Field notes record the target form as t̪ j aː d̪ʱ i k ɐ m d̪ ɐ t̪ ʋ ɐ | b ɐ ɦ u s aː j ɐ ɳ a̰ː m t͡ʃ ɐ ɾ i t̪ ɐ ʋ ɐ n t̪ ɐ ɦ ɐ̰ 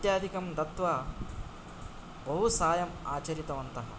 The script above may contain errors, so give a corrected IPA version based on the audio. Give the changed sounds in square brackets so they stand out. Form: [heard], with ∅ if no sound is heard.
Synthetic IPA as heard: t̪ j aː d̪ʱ i k ɐ m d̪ ɐ t̪ ʋ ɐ | b ɐ ɦ u s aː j ɐ [m] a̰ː [∅] t͡ʃ ɐ ɾ i t̪ ɐ ʋ ɐ n t̪ ɐ ɦ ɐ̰